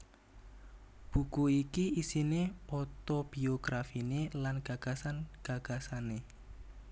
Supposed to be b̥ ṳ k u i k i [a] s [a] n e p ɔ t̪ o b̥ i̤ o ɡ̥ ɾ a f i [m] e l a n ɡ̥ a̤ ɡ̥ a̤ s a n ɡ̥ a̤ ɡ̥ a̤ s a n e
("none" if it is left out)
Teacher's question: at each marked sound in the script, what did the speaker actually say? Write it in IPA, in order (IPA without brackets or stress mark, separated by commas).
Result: i, i, n